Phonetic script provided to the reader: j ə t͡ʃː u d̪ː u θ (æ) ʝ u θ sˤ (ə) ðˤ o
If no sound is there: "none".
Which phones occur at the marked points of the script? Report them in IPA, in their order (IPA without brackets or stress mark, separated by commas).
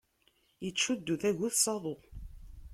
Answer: æ, ɑ